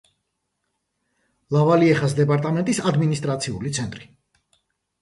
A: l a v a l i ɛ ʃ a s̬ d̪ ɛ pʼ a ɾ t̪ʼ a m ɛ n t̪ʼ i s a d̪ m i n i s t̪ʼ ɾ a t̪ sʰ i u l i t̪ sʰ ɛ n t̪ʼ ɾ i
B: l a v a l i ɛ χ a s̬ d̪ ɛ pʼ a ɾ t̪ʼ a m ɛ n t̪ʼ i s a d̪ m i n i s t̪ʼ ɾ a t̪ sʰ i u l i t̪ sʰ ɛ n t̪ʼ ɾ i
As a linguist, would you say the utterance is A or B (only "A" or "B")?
B